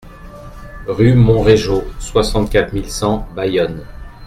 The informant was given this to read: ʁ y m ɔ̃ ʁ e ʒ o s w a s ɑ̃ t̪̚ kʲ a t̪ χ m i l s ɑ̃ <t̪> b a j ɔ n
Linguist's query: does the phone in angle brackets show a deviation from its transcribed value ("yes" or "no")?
yes